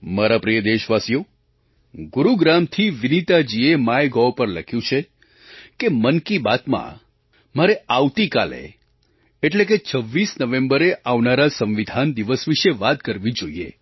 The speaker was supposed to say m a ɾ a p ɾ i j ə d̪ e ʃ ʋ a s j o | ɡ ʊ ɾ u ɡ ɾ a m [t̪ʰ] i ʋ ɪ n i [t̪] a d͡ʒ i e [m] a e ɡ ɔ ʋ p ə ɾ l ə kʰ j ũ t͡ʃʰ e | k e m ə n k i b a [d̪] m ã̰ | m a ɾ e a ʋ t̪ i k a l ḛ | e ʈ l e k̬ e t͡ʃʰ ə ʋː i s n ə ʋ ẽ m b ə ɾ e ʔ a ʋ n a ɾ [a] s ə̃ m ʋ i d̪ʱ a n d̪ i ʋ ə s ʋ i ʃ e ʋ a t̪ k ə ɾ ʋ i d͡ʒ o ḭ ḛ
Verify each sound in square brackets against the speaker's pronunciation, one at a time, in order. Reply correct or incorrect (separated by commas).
correct, correct, correct, incorrect, correct